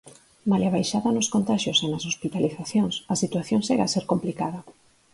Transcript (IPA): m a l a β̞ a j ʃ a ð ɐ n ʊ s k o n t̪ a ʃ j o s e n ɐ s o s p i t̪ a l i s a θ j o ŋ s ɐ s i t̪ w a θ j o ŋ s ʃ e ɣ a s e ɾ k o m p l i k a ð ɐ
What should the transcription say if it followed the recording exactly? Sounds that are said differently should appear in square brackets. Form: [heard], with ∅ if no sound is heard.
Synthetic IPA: m a l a β̞ a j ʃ a ð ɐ n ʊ s k o n t̪ a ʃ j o s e n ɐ s o s p i t̪ a l i [θ] a θ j o ŋ s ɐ s i t̪ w a θ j o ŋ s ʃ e ɣ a s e ɾ k o m p l i k a ð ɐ